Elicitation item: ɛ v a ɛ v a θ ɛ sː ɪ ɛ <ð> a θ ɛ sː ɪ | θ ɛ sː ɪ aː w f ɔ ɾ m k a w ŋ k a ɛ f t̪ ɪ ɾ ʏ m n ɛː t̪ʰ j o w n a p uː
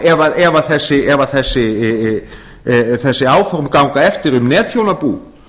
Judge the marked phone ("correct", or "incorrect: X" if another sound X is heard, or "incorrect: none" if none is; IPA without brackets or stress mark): incorrect: v